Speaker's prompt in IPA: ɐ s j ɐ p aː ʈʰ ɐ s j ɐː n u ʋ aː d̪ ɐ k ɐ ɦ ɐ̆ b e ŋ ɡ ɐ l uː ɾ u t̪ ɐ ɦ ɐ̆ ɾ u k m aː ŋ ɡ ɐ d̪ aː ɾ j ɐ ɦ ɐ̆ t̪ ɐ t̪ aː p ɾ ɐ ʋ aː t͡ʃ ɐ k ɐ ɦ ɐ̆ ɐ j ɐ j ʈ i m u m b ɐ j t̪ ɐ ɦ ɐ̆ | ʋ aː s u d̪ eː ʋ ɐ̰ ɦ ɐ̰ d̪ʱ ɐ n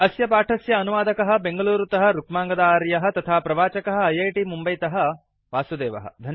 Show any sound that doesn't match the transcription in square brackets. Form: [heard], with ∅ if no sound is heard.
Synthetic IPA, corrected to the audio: ɐ s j ɐ p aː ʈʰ ɐ s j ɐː n u ʋ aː d̪ ɐ k ɐ ɦ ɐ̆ b e ŋ ɡ ɐ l uː ɾ u t̪ ɐ ɦ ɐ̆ ɾ u k m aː ŋ ɡ ɐ d̪ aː ɾ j ɐ ɦ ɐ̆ t̪ ɐ [t̪ʰ] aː p ɾ ɐ ʋ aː t͡ʃ ɐ k ɐ ɦ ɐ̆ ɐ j ɐ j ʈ i m u m b ɐ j t̪ ɐ ɦ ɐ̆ | ʋ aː s u d̪ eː ʋ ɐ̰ ɦ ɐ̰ d̪ʱ ɐ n

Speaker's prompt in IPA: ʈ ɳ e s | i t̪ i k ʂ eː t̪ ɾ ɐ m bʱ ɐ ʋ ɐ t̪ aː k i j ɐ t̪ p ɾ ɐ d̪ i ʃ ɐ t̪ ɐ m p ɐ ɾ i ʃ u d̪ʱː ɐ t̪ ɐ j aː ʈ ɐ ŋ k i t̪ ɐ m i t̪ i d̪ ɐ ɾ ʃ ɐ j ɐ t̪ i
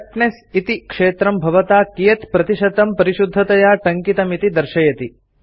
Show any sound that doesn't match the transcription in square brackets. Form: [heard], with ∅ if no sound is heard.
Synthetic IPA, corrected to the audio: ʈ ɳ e s | i t̪ i k ʂ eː t̪ ɾ ɐ m bʱ ɐ ʋ ɐ t̪ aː k i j ɐ t̪ p ɾ ɐ [t̪] i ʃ ɐ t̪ ɐ m p ɐ ɾ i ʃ u d̪ʱː ɐ t̪ ɐ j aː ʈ ɐ ŋ k i t̪ ɐ m i t̪ i d̪ ɐ ɾ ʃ ɐ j ɐ t̪ i

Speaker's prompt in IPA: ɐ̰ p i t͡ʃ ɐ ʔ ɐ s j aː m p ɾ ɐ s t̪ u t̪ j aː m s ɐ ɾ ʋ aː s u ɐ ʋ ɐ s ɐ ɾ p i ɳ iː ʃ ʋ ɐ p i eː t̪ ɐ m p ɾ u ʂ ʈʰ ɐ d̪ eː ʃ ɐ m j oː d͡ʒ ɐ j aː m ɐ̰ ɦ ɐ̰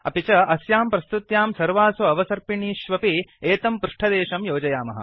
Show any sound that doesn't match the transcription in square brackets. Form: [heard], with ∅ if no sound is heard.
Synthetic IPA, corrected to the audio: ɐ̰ p i t͡ʃ ɐ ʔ ɐ s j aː m p ɾ ɐ s t̪ u t̪ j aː m s ɐ ɾ ʋ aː s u ɐ ʋ ɐ s ɐ ɾ p i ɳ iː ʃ ʋ ɐ p i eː t̪ ɐ m p ɾ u ʂ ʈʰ ɐ d̪ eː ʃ ɐ m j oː d͡ʒ ɐ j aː m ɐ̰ ɦ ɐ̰

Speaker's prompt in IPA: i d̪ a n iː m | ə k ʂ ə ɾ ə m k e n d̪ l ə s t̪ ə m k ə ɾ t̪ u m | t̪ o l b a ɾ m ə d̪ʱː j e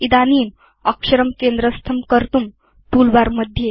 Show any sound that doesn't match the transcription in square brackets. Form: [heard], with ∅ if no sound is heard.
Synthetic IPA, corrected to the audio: i d̪ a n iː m | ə k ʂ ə ɾ ə m k e n d̪ [ɾ] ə s [t̪ʰ] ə m k ə ɾ t̪ u m | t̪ [u] l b a ɾ m ə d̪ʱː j e

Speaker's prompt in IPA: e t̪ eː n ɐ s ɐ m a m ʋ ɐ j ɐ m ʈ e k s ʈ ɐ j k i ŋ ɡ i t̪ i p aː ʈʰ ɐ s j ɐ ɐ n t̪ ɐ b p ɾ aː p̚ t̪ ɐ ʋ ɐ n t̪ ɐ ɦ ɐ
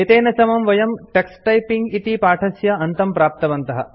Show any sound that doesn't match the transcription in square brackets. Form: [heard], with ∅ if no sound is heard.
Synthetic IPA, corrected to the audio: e t̪ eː n ɐ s ɐ m [ɐ] m ʋ ɐ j ɐ m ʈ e k s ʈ ɐ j [p] i ŋ ɡ i t̪ i p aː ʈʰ ɐ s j ɐ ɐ n t̪ ɐ [m] p ɾ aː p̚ t̪ ɐ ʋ ɐ n t̪ ɐ ɦ ɐ

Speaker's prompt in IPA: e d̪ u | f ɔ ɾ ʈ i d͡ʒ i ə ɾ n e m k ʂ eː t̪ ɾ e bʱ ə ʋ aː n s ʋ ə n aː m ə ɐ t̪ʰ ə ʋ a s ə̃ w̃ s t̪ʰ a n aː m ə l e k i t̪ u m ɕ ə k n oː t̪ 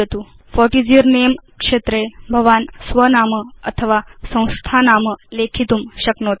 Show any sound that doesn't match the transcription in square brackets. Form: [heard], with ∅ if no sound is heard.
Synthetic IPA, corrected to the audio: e [t̪] u | f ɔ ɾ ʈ i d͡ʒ i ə ɾ n e m k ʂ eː t̪ ɾ e bʱ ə ʋ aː n s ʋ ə n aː m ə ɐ t̪ʰ ə ʋ a s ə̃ w̃ s t̪ʰ a n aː m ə l e [kʰ] i t̪ u m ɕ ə k n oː t̪

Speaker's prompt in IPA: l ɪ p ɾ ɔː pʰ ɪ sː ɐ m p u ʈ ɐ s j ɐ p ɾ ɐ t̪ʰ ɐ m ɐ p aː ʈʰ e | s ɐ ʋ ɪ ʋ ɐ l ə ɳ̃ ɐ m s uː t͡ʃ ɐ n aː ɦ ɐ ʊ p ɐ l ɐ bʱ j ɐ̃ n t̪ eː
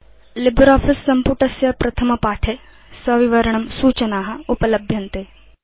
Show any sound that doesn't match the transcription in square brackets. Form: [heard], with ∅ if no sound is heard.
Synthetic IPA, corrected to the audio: l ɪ [b] ɾ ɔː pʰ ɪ sː ɐ m p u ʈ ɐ s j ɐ p ɾ ɐ t̪ʰ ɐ m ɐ p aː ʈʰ e | s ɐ ʋ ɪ ʋ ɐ [ɾ] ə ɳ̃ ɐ m s uː t͡ʃ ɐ n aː ɦ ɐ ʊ p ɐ l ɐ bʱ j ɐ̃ n t̪ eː

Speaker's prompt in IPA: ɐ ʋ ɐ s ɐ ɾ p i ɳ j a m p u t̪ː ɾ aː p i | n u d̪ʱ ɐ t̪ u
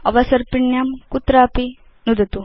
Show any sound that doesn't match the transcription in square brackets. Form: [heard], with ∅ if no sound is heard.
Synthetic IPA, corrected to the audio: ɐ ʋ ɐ s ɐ ɾ p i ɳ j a m [k] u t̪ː ɾ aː p i | n u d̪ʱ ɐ t̪ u

